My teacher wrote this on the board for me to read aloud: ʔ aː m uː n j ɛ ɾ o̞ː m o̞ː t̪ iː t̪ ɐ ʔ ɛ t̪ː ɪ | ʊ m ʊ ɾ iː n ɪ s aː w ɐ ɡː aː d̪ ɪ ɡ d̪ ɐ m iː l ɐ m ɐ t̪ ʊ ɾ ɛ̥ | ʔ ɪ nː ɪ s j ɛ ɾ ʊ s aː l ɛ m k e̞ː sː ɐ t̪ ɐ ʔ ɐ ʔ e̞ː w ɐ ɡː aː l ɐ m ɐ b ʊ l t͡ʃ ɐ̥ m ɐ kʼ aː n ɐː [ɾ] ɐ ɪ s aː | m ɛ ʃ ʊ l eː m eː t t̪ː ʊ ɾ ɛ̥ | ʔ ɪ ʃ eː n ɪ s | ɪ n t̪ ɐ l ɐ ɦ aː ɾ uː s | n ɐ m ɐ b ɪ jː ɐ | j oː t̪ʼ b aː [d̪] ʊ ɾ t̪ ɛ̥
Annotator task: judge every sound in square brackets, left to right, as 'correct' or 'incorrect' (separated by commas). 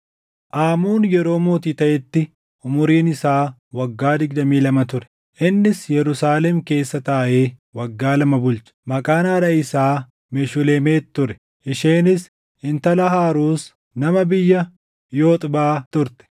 correct, incorrect